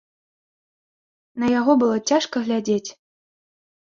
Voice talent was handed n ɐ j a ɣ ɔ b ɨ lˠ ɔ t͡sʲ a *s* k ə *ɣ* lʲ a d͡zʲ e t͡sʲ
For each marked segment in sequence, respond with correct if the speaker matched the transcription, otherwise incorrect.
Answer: incorrect, correct

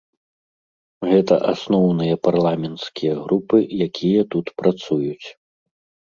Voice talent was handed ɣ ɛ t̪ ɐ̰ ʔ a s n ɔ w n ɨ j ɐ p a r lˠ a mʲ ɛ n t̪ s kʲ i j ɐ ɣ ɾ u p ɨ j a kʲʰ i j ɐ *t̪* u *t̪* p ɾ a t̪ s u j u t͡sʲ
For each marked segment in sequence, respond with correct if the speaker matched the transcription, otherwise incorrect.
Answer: correct, correct

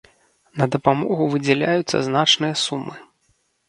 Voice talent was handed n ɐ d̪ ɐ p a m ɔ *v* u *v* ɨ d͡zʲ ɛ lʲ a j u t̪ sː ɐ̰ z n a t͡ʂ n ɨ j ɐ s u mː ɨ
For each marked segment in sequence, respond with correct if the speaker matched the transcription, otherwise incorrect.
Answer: incorrect, correct

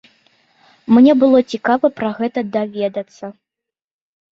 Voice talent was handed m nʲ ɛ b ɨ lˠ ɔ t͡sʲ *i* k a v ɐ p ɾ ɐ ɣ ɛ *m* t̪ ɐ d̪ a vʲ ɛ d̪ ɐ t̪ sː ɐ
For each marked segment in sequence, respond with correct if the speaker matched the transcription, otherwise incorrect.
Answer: correct, incorrect

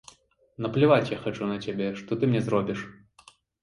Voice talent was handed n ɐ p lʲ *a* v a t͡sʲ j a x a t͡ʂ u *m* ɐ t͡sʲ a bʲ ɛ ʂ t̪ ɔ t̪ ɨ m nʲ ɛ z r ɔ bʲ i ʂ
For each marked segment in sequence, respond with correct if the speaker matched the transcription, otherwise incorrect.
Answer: incorrect, incorrect

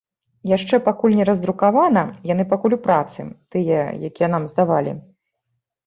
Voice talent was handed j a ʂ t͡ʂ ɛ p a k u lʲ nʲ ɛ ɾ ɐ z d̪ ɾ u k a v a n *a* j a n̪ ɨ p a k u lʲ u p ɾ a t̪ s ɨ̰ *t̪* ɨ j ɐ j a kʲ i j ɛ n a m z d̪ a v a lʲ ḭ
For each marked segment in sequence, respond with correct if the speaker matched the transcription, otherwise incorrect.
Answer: incorrect, correct

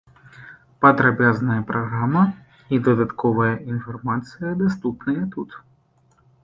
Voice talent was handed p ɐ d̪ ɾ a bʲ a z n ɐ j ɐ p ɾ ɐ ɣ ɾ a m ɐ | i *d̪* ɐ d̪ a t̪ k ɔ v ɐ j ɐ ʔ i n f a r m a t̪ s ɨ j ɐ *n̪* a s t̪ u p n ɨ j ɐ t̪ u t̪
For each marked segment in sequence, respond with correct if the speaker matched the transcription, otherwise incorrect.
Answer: correct, incorrect

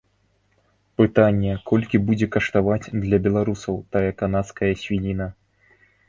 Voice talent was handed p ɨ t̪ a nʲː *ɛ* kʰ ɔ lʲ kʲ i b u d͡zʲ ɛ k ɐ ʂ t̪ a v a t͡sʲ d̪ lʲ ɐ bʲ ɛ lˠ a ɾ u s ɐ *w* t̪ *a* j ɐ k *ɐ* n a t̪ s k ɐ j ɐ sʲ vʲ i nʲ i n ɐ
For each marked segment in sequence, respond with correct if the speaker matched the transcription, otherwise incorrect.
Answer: correct, correct, correct, incorrect

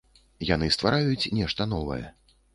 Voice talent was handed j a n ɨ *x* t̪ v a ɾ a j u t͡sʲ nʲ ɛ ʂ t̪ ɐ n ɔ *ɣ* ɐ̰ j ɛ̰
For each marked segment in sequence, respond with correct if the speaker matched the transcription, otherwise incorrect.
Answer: incorrect, incorrect

